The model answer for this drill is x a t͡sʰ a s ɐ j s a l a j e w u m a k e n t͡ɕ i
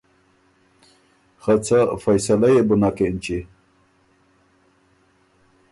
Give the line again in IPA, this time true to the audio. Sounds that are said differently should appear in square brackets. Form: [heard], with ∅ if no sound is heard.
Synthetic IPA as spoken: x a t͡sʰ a [f] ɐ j s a l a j e [b] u [n] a k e n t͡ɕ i